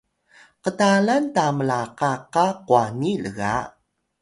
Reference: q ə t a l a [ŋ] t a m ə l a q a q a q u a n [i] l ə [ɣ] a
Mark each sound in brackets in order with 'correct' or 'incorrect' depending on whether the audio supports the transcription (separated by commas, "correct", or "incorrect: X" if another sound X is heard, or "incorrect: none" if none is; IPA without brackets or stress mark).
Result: incorrect: n, correct, correct